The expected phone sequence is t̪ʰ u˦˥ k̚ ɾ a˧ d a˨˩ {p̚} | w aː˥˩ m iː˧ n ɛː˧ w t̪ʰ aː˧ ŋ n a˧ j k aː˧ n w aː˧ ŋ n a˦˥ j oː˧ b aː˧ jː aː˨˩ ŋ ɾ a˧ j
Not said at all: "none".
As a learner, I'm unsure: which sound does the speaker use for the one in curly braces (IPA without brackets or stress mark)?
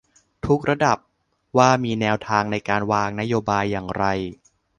p̚